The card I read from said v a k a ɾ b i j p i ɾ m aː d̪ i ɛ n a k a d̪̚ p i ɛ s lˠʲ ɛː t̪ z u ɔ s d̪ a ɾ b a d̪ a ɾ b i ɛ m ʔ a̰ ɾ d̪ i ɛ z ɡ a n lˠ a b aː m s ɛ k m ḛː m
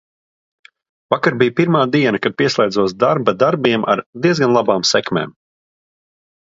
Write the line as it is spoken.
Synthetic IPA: v a k a ɾ b i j p i ɾ m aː d̪ i ɛ n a k a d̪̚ p i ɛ s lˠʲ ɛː d̪ z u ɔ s d̪ a ɾ b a d̪ a ɾ b i ɛ m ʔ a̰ ɾ d̪ i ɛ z ɡ a n lˠ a b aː m s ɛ k m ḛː m